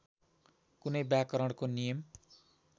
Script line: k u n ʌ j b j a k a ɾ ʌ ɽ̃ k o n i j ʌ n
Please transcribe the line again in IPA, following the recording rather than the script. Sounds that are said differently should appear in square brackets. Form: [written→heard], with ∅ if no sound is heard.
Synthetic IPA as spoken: k u n ʌ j b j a k [a→ʌ] ɾ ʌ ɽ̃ k o n i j ʌ [n→m]